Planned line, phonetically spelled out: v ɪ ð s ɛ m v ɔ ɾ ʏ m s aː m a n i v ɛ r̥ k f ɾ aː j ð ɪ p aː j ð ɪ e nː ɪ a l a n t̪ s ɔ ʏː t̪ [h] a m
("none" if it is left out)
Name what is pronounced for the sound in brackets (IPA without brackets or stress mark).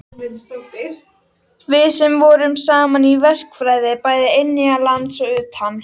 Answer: h